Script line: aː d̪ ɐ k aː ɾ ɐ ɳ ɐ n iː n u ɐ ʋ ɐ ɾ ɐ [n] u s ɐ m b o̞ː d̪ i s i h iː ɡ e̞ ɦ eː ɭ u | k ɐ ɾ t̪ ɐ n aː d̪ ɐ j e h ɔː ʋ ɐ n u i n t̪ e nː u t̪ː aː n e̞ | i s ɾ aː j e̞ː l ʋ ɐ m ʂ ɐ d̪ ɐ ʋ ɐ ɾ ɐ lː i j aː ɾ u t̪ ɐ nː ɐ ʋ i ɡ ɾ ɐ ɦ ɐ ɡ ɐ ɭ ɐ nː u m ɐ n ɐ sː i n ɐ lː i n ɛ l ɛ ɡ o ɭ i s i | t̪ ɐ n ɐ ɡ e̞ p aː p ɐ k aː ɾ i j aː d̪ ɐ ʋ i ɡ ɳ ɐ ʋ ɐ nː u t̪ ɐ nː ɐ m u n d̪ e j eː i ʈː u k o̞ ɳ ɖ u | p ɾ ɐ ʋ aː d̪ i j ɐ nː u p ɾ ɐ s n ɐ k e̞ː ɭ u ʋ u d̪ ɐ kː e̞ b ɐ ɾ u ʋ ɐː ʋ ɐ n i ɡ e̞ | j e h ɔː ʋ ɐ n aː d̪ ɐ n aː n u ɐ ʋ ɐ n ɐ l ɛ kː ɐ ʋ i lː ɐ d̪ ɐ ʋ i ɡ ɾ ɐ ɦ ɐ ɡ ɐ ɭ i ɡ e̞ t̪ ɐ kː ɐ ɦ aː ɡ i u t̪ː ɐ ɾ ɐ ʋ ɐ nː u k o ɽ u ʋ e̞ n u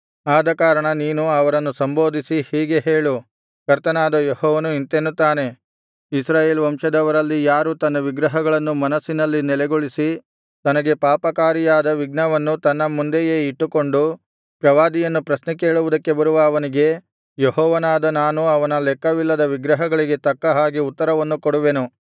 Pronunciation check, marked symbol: incorrect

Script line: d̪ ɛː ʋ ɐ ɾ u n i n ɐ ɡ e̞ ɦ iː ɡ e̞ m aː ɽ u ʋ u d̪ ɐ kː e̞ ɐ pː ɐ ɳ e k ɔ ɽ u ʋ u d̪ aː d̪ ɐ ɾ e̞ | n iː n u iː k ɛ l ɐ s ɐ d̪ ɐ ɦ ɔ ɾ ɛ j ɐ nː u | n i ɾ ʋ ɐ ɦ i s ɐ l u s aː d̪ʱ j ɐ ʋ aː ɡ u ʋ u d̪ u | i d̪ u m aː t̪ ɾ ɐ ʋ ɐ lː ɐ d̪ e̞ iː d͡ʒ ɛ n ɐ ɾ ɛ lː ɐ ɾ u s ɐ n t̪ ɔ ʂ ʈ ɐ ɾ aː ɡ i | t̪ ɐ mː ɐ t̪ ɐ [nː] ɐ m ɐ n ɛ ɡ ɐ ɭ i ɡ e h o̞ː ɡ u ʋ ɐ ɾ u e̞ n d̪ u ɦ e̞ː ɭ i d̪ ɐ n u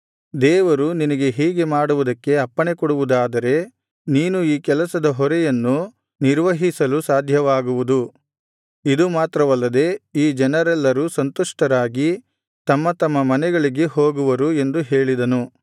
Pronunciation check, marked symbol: incorrect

